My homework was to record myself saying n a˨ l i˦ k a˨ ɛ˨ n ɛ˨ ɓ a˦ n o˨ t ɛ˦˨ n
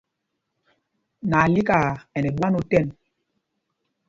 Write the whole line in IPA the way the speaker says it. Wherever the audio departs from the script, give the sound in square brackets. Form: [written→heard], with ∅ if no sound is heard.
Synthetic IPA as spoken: n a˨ l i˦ k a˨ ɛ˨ n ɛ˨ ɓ a˦ n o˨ t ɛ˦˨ n